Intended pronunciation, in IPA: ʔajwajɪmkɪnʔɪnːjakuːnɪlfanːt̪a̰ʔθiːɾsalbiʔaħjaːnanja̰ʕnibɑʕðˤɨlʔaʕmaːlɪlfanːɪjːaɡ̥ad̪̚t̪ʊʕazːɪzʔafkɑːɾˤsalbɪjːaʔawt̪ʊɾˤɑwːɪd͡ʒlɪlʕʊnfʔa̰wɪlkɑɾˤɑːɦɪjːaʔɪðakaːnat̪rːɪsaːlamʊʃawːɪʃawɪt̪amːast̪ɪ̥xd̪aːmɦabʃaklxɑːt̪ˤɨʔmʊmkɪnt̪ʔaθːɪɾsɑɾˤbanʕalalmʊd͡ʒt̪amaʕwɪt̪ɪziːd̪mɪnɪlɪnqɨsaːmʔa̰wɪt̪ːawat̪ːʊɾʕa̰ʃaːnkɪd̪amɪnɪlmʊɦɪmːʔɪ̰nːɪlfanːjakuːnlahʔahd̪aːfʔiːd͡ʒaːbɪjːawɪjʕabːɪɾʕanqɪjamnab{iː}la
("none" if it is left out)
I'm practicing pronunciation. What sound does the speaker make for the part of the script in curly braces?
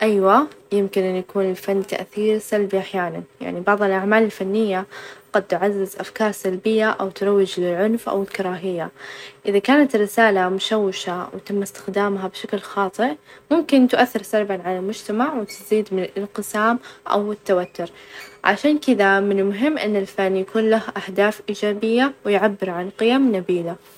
iː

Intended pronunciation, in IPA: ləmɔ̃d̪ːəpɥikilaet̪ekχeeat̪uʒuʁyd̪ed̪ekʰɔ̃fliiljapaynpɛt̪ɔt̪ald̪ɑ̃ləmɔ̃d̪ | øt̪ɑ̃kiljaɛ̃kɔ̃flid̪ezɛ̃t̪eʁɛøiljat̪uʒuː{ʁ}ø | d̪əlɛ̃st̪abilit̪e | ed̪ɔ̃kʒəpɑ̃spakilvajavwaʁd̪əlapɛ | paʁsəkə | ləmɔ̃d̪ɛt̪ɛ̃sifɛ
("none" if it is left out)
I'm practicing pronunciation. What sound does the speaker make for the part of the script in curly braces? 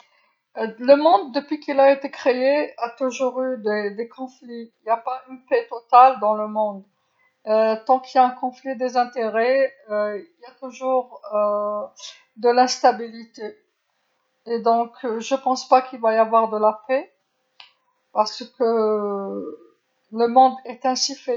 ʁ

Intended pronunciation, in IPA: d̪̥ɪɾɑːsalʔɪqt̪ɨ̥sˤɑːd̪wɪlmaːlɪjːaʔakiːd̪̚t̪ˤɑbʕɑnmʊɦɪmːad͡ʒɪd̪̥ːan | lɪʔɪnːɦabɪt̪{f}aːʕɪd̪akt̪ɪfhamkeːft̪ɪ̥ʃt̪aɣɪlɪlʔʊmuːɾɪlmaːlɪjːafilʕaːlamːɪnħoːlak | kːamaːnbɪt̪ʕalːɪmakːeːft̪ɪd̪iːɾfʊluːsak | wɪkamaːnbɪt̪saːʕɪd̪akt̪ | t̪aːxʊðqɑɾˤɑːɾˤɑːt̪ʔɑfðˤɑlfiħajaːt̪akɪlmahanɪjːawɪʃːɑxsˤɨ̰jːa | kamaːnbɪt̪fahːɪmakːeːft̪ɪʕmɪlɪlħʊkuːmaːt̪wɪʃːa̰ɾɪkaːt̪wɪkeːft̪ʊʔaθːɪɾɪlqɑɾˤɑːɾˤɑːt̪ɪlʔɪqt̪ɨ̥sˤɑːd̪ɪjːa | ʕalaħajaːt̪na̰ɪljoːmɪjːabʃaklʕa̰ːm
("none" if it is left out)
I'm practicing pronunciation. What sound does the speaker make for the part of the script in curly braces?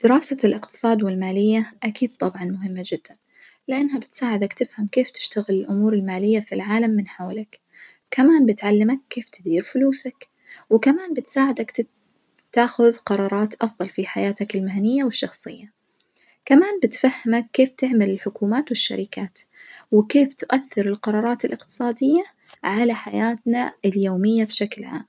s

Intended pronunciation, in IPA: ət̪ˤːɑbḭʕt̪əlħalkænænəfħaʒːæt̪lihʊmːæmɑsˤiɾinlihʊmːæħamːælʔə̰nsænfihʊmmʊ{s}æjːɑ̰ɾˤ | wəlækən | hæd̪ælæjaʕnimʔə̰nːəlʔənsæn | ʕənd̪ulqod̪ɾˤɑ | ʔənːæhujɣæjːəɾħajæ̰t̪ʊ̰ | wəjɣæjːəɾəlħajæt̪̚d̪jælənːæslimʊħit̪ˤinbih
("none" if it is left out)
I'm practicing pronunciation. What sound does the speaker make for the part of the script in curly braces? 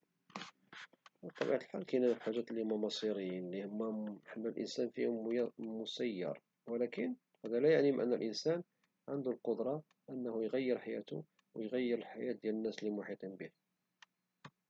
s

